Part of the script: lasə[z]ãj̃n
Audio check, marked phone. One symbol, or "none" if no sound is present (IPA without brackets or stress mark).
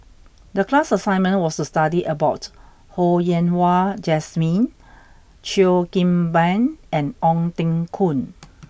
s